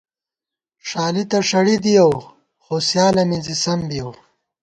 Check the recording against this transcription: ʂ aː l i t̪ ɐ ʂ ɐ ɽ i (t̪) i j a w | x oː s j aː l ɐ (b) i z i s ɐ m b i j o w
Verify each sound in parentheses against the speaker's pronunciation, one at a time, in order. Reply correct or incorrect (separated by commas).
incorrect, incorrect